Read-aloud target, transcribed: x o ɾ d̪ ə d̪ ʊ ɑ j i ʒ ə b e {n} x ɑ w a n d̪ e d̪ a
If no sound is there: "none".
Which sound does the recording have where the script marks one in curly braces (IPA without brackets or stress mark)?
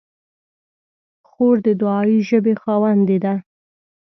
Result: none